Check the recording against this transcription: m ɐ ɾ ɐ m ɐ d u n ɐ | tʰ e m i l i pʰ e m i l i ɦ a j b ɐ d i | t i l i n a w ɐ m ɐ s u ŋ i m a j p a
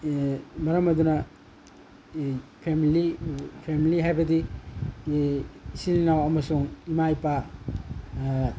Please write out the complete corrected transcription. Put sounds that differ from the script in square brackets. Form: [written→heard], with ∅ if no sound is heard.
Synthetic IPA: m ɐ ɾ ɐ m ɐ d u n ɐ | [tʰ→pʰ] e m i l i pʰ e m i l i ɦ a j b ɐ d i | [t→s] i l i n a w ɐ m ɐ s u ŋ i m a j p a